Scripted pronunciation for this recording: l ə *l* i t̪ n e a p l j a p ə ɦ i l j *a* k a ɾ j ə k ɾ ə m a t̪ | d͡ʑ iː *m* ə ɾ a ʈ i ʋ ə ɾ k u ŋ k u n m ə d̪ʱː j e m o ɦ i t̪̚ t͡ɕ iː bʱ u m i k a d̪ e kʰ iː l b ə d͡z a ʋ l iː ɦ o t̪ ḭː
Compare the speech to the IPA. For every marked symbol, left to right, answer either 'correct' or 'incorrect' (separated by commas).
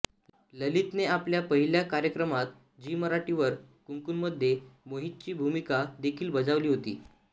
correct, correct, correct